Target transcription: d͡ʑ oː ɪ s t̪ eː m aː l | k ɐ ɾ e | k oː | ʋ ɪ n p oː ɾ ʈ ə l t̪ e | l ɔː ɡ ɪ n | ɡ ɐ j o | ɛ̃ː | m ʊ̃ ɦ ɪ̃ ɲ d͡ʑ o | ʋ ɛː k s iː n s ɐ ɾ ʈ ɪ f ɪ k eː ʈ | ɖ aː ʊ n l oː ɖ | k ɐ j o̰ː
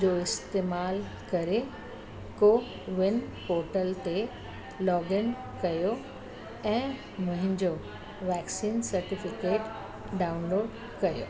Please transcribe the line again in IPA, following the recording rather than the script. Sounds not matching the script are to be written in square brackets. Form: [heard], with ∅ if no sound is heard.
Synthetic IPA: d͡ʑ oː ɪ s t̪ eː m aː l | k ɐ ɾ e | k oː | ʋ ɪ n p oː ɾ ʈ ə l t̪ e | l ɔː ɡ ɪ n | [k] ɐ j o | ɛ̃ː | m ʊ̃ ɦ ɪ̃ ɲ d͡ʑ o | ʋ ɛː k s iː n s ɐ ɾ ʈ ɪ f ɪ k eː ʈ | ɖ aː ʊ n l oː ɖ | k ɐ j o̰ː